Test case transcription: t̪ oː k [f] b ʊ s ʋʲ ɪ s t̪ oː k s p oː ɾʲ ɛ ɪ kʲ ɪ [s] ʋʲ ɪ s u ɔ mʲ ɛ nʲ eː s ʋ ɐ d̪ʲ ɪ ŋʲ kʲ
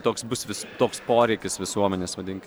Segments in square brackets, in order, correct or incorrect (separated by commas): incorrect, correct